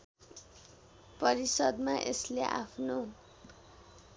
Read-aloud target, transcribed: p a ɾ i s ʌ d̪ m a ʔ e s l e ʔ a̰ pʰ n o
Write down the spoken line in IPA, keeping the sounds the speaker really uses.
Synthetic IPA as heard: p ʌ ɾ i s ʌ d̪ m a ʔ e s l e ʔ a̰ pʰ n o